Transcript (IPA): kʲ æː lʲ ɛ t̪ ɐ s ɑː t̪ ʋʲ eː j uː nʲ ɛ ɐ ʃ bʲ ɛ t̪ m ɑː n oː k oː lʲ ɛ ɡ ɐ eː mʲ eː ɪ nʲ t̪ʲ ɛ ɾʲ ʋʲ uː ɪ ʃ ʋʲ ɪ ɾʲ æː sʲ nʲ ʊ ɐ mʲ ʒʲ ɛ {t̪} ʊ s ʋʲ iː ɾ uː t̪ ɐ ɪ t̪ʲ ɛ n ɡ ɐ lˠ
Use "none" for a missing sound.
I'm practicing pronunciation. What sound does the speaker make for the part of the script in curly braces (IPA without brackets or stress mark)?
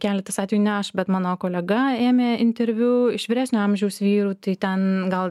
none